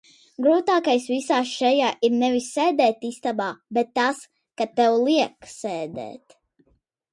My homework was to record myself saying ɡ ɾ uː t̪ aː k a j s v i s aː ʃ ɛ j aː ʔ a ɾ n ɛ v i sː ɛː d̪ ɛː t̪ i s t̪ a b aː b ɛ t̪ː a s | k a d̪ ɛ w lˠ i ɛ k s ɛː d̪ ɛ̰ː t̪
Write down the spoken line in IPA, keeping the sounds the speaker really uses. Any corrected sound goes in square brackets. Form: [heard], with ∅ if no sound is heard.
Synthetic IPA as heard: ɡ ɾ uː t̪ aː k a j s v i s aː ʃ ɛ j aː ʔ [i] ɾ n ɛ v i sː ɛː d̪ ɛː t̪ i s t̪ a b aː b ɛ t̪ː a s | k a [t̪] ɛ w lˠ i ɛ k s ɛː d̪ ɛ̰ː t̪